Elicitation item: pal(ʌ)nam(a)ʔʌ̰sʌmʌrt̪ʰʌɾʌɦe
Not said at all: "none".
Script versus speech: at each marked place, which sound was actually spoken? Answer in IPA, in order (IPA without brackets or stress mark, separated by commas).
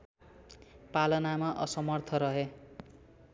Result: ʌ, a